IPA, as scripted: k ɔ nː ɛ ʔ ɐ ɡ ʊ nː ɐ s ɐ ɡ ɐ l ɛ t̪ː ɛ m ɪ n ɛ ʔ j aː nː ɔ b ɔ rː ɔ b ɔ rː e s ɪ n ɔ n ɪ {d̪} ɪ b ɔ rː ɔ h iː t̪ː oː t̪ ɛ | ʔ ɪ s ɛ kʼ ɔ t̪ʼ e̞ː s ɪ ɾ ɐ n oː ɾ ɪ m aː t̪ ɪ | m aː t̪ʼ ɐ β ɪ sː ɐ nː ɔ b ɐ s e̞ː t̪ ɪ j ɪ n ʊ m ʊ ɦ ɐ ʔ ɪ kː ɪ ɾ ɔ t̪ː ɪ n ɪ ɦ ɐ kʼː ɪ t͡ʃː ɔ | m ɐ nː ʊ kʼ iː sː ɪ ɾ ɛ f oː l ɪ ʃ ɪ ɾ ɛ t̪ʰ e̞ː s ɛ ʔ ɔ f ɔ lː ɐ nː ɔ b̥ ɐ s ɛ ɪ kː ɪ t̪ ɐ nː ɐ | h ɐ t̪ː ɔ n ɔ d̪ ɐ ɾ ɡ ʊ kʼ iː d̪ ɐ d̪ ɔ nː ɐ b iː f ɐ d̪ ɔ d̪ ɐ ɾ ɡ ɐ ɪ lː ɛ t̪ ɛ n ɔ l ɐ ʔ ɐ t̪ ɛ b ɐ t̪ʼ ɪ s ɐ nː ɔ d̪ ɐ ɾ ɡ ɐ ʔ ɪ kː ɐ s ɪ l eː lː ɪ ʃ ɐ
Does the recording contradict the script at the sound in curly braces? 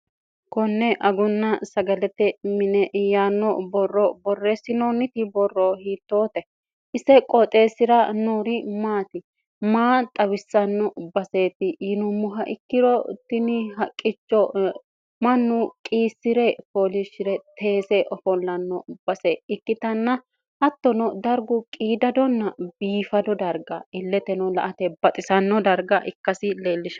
yes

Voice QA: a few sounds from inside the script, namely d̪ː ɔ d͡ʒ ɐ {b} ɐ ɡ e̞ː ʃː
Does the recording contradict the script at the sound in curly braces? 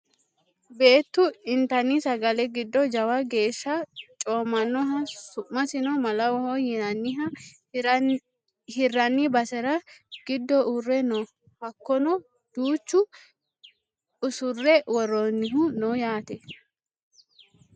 yes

